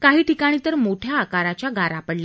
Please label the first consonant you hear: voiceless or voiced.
voiceless